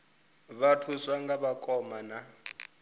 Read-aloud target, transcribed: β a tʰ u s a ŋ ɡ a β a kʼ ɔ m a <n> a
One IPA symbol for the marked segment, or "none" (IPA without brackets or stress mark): n